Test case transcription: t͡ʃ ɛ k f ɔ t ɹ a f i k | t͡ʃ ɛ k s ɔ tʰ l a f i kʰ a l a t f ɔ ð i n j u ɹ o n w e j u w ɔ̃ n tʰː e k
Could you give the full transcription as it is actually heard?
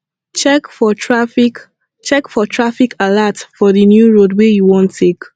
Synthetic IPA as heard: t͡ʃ ɛ k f ɔ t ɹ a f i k | t͡ʃ ɛ k f ɔ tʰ ɹ a f i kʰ a l a t f ɔ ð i n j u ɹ o d w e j u w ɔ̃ n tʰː e k